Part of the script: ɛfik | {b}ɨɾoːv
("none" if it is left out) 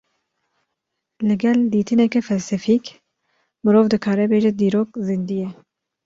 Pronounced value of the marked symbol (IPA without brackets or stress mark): m